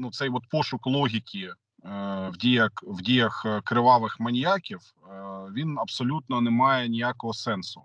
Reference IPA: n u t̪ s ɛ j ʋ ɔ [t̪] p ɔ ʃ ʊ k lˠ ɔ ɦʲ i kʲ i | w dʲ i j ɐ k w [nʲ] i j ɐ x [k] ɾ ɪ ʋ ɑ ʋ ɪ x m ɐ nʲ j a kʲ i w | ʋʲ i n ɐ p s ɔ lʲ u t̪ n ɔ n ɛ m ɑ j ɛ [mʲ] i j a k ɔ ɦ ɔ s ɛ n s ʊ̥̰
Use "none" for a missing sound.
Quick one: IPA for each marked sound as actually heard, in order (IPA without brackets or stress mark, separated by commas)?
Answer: t̪, dʲ, k, nʲ